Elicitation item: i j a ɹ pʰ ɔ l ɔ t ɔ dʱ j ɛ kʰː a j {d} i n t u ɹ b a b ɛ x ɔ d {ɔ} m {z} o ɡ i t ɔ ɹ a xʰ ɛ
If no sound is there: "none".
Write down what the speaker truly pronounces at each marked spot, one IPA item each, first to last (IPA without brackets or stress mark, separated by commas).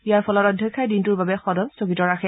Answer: d, ɔ, s